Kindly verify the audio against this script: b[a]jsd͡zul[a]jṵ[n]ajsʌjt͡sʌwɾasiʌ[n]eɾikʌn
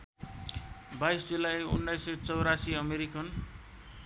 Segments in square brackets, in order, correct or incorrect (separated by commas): correct, correct, incorrect, incorrect